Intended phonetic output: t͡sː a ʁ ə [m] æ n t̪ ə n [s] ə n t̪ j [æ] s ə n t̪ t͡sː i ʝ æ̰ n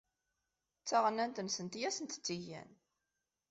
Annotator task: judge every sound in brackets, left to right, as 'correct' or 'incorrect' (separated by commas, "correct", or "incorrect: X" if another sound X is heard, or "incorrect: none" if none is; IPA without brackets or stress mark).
incorrect: n, correct, correct